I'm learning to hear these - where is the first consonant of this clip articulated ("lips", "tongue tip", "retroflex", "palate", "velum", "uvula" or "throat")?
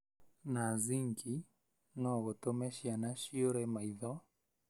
tongue tip